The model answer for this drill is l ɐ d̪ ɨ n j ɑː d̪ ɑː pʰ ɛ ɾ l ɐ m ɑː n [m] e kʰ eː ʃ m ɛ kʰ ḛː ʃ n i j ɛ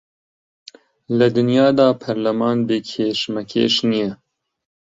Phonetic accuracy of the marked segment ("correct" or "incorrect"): incorrect